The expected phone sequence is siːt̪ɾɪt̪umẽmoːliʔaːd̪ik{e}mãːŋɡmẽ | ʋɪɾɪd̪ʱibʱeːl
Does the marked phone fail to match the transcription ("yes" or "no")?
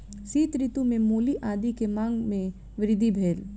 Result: no